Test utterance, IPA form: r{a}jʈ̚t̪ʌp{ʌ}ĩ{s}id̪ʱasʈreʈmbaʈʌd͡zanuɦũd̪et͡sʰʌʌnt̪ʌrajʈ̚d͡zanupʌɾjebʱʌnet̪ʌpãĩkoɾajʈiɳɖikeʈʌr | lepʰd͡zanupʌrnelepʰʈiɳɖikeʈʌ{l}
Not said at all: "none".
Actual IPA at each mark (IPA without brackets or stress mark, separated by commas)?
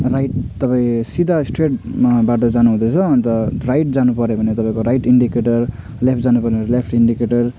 a, a, s, r